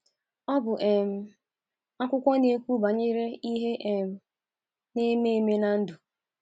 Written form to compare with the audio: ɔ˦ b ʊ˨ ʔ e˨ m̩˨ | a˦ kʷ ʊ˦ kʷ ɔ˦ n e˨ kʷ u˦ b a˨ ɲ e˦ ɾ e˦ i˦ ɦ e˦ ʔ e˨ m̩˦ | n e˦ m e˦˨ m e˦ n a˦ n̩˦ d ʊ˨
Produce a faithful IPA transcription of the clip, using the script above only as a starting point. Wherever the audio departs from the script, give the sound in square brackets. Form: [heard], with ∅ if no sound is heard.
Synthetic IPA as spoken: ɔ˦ b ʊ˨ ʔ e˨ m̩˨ | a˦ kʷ ʊ˦ kʷ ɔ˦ n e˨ kʷ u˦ b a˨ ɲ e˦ ɾ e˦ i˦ ɦ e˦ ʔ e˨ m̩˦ | n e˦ m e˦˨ m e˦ n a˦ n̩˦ d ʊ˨

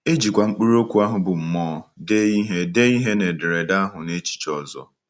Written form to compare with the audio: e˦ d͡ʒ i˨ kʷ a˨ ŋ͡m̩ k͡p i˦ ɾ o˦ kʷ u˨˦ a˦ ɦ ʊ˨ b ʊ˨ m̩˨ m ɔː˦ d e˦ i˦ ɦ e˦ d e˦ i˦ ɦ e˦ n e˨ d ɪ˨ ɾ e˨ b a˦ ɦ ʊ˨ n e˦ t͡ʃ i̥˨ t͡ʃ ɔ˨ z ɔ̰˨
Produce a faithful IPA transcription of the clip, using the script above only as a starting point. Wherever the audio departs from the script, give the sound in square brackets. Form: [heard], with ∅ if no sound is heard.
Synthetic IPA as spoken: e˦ d͡ʒ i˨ kʷ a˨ ŋ͡m̩ k͡p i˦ ɾ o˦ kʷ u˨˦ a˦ ɦ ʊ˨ b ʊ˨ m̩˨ m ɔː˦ d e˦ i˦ ɦ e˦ d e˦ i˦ ɦ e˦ n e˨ d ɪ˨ ɾ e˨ [d] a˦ ɦ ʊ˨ n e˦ t͡ʃ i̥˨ t͡ʃ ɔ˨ z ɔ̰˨

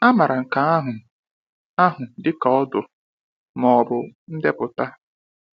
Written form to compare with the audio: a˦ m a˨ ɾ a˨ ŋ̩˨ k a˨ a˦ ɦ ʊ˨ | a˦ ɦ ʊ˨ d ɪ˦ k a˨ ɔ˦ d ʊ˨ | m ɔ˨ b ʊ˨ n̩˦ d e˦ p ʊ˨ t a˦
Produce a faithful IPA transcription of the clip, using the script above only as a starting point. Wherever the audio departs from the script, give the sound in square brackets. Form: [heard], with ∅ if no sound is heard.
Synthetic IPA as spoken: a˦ m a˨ ɾ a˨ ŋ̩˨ k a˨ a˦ ɦ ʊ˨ | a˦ ɦ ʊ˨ d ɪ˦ k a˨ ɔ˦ d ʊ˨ | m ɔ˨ b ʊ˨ n̩˦ d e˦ p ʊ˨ t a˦

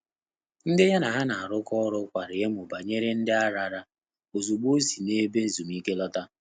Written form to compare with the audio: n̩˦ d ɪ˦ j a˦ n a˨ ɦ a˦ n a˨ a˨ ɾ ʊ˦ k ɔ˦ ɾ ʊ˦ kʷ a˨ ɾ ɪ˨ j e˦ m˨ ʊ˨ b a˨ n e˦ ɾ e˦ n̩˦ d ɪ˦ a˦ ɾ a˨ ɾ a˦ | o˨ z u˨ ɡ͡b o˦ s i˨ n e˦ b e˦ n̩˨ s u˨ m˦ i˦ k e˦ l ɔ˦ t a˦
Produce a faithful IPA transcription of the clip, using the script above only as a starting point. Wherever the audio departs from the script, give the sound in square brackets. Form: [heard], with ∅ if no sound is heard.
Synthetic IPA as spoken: n̩˦ d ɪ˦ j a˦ n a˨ ɦ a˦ n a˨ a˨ ɾ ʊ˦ k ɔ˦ ɾ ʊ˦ kʷ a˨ ɾ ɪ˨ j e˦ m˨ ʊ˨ b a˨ [ɲ] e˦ ɾ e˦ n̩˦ d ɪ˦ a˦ ɾ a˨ ɾ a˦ | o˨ z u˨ ɡ͡b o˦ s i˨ n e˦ b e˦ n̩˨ [z] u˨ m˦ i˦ k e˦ l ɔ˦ t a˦

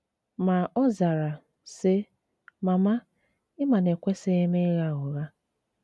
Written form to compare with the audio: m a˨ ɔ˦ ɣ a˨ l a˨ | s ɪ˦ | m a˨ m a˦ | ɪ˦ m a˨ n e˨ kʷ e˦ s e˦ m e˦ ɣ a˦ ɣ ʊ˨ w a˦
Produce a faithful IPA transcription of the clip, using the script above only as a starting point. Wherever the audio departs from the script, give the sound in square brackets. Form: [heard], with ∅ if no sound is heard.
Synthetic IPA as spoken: m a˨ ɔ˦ [z] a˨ [ɾ] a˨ | s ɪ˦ | m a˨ m a˦ | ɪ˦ m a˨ n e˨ kʷ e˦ s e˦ m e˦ ɣ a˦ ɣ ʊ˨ [ɣ] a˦

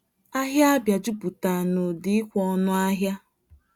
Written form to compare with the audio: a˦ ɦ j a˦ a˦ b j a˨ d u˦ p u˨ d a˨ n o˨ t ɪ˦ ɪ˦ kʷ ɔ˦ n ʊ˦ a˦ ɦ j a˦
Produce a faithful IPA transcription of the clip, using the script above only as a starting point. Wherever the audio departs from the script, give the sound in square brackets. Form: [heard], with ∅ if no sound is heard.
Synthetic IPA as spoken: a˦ ɦ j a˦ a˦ b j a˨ [d͡ʒ] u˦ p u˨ [t] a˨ n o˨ [d] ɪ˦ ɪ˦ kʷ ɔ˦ n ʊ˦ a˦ ɦ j a˦

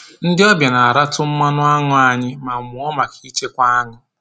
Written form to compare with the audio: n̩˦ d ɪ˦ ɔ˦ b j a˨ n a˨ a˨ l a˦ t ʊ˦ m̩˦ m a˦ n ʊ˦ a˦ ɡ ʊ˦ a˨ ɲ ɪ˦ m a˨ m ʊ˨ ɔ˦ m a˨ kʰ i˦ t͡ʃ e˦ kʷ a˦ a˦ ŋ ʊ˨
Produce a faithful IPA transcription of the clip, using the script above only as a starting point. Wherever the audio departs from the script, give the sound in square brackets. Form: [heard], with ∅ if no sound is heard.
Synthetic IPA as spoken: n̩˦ d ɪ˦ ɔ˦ b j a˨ n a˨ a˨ [ɾ] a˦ t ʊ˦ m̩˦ m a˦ n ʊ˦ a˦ [ŋ] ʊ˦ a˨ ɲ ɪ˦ m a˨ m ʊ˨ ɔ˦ m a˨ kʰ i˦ t͡ʃ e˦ kʷ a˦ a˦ ŋ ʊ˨

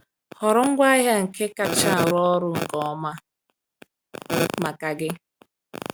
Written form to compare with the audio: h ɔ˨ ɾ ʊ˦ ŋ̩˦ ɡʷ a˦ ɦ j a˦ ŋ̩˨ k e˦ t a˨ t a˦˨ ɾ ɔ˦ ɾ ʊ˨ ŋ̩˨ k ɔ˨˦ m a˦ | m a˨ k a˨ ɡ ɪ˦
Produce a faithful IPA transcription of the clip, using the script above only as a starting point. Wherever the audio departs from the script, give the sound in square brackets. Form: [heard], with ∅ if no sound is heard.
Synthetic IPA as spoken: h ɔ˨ ɾ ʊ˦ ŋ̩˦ ɡʷ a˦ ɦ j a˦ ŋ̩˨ k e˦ [k] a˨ [t͡ʃ] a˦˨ ɾ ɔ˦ ɾ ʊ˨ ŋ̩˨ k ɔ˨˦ m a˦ | m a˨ k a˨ ɡ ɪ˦

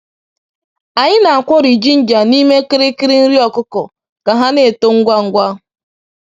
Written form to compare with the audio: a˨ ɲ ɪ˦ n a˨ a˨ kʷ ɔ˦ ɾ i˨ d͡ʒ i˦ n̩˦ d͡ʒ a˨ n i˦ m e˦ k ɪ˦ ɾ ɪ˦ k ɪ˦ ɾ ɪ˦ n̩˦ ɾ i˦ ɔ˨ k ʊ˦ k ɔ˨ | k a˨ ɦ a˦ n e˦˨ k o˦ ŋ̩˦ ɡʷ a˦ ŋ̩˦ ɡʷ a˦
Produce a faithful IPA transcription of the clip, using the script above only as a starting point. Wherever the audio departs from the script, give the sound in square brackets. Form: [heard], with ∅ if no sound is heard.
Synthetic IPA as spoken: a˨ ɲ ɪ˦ n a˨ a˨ kʷ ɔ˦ ɾ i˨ d͡ʒ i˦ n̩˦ d͡ʒ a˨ n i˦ m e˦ k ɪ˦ ɾ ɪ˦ k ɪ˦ ɾ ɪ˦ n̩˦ ɾ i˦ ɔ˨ k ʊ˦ k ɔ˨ | k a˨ ɦ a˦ n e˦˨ [t] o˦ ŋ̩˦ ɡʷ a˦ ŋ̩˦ ɡʷ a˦

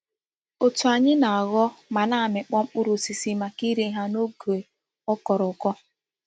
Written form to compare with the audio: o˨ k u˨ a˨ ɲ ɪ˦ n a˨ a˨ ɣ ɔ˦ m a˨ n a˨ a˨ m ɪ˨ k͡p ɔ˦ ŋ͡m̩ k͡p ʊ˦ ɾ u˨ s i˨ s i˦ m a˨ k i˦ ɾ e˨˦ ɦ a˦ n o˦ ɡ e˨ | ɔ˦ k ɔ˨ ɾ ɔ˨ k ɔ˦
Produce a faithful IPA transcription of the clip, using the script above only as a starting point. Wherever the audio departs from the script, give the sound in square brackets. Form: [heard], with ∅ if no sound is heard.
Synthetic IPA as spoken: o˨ [t] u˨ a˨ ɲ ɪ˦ n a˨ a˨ ɣ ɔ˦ m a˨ n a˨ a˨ m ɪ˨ k͡p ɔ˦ ŋ͡m̩ k͡p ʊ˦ ɾ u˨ s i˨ s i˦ m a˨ k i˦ ɾ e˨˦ ɦ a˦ n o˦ ɡ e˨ | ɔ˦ k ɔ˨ ɾ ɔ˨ k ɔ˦

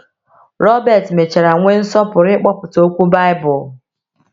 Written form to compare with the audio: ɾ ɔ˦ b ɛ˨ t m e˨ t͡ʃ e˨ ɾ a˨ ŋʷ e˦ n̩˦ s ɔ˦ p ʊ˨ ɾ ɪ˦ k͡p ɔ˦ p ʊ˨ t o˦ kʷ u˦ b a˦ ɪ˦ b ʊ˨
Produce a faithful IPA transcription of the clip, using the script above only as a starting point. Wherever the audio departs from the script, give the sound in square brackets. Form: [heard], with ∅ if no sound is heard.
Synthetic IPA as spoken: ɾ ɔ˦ b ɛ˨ t m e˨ t͡ʃ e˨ ɾ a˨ ŋʷ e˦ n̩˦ s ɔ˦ p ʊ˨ ɾ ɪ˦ k͡p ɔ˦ p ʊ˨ t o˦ kʷ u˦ b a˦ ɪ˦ b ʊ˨

